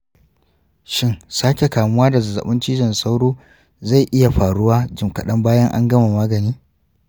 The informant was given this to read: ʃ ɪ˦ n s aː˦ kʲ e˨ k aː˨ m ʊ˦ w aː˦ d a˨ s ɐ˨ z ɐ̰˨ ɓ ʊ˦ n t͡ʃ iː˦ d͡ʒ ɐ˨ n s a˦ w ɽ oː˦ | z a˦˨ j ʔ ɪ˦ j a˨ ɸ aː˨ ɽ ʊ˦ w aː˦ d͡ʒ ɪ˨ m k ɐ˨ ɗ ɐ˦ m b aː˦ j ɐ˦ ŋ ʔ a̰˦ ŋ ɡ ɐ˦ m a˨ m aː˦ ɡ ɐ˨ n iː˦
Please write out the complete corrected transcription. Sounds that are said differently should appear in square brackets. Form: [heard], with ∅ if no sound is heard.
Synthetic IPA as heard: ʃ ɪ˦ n s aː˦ kʲ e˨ k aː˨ m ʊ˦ w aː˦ d a˨ [z] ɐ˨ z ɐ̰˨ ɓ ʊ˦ n t͡ʃ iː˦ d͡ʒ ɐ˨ n s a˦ w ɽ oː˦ | z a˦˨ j ʔ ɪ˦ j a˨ ɸ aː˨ ɽ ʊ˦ w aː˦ d͡ʒ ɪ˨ m k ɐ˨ ɗ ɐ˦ m b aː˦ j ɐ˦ ŋ ʔ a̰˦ ŋ ɡ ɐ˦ m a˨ m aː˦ ɡ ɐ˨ n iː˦